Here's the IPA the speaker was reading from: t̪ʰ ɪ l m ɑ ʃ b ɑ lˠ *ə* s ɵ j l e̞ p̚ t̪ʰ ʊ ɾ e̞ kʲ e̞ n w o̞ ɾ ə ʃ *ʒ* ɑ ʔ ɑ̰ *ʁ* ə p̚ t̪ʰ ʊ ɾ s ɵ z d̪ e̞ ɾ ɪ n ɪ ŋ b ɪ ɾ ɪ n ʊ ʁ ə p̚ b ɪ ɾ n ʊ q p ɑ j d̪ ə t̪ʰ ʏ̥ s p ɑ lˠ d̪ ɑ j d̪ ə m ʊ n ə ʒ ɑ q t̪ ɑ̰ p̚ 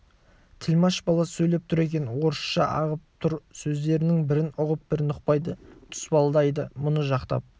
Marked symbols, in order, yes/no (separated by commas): no, no, yes